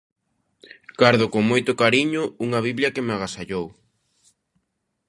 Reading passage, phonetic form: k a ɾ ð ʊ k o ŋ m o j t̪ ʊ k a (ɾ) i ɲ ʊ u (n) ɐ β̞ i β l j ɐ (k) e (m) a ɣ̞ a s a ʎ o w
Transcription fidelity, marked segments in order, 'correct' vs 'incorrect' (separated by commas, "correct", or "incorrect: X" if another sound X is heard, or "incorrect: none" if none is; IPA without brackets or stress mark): correct, incorrect: ŋ, correct, correct